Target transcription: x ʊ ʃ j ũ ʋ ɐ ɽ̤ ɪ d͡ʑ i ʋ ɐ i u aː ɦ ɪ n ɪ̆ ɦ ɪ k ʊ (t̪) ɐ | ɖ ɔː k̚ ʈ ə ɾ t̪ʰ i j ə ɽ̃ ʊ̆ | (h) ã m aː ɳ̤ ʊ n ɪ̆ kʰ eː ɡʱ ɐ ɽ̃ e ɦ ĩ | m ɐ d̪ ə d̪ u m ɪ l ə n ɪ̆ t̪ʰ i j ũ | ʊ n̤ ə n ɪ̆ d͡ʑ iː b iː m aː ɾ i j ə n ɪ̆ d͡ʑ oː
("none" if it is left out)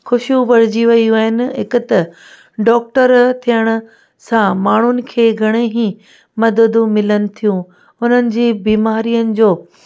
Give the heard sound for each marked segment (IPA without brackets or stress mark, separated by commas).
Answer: t̪, s